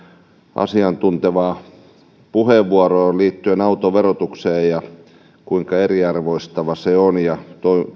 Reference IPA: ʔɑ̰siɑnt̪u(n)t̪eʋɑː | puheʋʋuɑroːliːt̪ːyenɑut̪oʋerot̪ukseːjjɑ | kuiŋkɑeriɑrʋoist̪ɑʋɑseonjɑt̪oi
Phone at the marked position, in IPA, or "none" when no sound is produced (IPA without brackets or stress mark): n